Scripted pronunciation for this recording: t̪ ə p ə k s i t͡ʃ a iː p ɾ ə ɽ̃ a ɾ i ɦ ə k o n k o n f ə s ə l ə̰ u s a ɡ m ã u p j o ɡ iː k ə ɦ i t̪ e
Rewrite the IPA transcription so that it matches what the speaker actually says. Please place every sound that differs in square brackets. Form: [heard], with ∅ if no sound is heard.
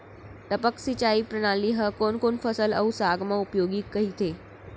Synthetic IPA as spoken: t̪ ə p ə k s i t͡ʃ a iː p ɾ ə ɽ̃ a [l] i ɦ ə k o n k o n f ə s ə l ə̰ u s a ɡ m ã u p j o ɡ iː k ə ɦ i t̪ e